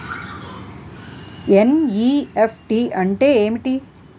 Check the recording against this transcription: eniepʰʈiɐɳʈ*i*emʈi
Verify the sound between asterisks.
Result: incorrect: e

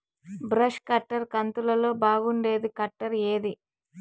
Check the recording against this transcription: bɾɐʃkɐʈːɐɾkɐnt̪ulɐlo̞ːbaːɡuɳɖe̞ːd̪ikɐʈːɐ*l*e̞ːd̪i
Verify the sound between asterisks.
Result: incorrect: ɾ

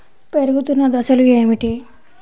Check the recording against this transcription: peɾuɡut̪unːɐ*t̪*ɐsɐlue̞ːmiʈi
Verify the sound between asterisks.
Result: incorrect: d̪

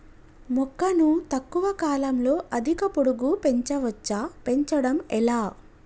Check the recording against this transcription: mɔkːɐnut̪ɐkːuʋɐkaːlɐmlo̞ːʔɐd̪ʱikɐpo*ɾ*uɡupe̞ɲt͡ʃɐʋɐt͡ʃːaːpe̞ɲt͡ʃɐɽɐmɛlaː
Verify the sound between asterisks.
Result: incorrect: ɽ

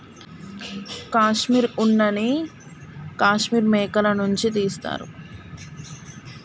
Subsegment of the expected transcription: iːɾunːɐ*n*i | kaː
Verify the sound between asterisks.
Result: correct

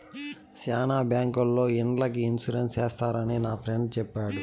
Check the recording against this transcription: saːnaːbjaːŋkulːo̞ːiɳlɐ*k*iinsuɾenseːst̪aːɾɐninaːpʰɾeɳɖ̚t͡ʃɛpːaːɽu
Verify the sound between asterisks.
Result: correct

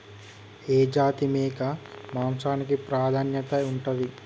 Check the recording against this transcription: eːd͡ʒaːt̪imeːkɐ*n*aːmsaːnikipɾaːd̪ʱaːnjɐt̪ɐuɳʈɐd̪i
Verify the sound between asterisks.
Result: incorrect: m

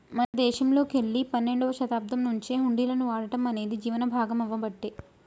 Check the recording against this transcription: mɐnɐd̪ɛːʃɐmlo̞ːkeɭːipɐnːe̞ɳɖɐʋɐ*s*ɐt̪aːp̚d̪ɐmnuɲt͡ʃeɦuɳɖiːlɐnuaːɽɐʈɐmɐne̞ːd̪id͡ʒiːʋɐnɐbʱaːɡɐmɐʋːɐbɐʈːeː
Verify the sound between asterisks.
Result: incorrect: ʃ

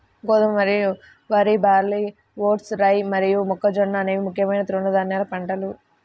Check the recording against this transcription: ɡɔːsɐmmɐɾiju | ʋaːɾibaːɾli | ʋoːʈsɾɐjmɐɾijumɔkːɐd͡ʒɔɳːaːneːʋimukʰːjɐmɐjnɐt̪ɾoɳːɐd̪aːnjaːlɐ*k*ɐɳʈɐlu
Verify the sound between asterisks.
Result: incorrect: p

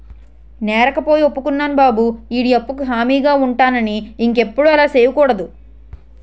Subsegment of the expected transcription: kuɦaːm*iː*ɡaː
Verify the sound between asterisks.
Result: correct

